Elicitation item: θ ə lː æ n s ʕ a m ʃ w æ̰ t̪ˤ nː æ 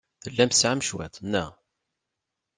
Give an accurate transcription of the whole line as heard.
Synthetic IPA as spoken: θ ə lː æ m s ʕ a m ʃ w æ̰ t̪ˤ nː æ

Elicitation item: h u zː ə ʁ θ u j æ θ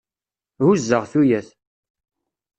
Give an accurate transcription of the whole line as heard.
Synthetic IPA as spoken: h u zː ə ʁ θ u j æ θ

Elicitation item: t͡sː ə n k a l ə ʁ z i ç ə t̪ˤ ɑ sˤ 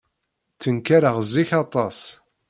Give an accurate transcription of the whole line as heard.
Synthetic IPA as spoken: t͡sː ə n k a ɾ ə ʁ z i ç ɑ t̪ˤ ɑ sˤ

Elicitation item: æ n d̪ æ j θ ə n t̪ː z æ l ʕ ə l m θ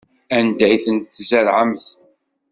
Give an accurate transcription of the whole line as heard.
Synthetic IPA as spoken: æ n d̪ æ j θ ə n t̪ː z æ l ʕ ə m θ

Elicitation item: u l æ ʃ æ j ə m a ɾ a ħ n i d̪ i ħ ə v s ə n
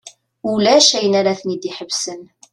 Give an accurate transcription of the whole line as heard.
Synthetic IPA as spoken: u l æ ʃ æ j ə n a ɾ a θ n i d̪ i ħ ə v s ə n

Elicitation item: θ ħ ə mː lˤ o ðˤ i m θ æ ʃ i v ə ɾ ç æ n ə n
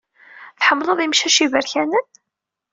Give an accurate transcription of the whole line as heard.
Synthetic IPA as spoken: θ ħ ə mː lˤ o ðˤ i m ʃ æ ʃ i v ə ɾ ç æ n ə n

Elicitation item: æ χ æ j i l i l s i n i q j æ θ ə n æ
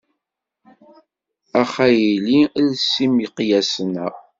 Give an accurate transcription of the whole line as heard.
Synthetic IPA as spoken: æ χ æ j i l i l s i m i q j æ s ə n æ

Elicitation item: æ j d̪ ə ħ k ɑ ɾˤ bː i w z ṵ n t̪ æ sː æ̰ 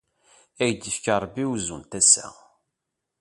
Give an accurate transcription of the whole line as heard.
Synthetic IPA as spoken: æ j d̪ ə f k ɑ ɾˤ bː i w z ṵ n t̪ æ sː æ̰

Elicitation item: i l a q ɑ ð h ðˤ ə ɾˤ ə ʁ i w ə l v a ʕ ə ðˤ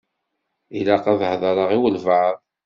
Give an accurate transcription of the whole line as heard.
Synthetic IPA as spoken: i l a q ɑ ð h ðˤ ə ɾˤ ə ʁ i w ə l v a ʕ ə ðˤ

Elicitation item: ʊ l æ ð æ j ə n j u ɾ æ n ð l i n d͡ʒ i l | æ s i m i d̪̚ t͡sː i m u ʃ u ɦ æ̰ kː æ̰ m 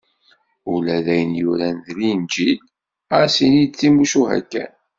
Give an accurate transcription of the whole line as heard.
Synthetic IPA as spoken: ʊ l æ ð æ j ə n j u ɾ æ n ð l i n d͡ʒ i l | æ s i n i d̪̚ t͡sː i m u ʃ u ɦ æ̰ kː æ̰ n

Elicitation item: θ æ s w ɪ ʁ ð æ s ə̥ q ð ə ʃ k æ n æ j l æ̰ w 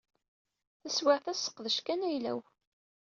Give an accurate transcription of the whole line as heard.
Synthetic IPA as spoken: θ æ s w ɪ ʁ θ æ s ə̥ q ð ə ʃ k æ n æ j l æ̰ w

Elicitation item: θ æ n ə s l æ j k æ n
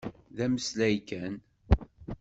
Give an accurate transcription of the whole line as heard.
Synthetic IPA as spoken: ð æ m ə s l æ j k æ n

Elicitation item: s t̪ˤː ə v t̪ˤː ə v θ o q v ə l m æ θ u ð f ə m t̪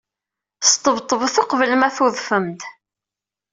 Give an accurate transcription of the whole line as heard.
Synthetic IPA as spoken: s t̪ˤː ə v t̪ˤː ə v θ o q v ə l m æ θ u ð f ə m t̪

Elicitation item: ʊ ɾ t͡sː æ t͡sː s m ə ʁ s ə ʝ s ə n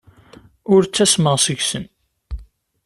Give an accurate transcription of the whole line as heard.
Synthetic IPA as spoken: ʊ ɾ t͡sː æ s m ə ʁ s ə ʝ s ə n

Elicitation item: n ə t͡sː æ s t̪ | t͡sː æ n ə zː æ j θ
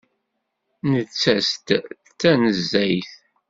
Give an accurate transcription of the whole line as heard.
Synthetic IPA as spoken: n ə t͡sː æ s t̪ | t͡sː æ n ə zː æ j θ

